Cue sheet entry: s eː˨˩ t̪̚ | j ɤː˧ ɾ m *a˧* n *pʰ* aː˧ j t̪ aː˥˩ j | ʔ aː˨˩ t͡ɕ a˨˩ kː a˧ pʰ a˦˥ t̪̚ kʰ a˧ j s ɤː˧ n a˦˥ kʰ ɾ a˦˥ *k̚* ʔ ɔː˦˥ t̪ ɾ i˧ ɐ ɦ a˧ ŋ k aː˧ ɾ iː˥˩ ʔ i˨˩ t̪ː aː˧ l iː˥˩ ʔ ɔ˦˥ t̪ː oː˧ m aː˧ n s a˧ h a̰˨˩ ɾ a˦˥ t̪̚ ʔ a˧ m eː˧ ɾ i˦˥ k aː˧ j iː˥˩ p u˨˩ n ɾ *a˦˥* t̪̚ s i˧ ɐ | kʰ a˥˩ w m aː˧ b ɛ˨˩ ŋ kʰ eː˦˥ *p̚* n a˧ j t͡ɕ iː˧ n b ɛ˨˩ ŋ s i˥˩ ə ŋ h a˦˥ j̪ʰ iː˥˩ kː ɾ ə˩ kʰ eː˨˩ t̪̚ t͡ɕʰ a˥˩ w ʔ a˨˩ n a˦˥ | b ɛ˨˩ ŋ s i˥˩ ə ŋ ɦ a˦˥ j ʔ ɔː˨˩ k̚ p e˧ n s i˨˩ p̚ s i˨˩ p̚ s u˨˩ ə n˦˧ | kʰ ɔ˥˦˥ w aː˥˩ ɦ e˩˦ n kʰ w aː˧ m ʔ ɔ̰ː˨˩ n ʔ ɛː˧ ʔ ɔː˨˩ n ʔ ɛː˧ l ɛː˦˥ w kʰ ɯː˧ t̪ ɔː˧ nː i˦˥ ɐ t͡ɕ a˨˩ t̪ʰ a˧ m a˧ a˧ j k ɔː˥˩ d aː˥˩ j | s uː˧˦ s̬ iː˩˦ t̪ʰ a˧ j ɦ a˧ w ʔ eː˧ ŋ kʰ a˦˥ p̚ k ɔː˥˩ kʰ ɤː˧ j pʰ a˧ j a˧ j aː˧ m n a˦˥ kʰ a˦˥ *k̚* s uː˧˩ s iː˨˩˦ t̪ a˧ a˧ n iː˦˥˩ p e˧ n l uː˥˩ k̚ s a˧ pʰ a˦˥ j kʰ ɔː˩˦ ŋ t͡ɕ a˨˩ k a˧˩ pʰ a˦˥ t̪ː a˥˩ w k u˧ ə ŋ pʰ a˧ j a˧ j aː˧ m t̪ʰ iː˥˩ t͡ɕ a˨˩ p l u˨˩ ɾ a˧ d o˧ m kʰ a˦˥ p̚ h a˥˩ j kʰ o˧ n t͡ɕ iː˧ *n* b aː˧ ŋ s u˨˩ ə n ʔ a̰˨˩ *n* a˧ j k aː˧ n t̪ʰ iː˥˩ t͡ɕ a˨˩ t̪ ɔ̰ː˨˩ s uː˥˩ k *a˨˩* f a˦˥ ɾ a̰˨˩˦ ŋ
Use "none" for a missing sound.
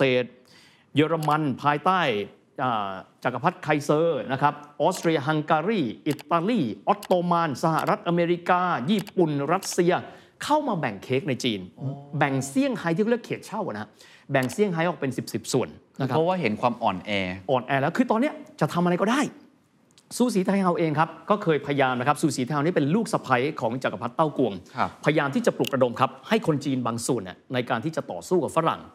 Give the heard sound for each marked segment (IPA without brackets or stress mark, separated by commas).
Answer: a˧, pʰ, p̚, a˦˥, k̚, p̚, n, n, a˨˩